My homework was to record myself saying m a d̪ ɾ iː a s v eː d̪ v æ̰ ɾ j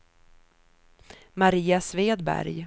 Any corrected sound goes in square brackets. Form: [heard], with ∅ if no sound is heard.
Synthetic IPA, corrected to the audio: m a [∅] ɾ iː a s v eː d̪ [b] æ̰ ɾ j